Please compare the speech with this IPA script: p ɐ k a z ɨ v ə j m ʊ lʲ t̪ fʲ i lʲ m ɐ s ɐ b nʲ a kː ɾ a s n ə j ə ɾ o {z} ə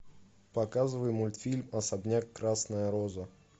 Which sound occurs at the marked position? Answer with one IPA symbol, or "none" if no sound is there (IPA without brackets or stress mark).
z